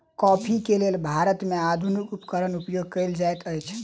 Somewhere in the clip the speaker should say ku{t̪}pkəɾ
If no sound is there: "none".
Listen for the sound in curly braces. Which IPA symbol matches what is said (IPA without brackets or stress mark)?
none